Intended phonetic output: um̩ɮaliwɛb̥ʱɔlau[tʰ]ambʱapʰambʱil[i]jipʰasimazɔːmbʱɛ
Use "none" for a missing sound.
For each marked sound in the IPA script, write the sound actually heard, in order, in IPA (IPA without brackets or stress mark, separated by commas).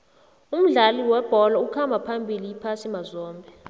kʰ, i